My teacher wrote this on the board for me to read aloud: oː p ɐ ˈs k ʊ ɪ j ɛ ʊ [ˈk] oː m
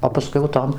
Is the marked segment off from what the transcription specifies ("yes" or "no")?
yes